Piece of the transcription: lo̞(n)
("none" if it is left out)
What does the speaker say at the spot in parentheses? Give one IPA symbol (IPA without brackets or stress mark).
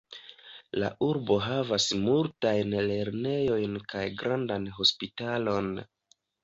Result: n